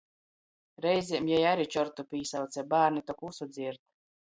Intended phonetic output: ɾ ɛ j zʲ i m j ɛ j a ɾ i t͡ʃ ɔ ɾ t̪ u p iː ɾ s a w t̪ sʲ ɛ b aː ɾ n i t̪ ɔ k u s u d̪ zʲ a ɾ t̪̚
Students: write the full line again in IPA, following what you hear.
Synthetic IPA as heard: ɾ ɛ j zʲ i m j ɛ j a ɾ i t͡ʃ ɔ ɾ t̪ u p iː s a w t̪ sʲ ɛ b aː ɾ n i t̪ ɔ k u s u d̪ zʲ i ɾ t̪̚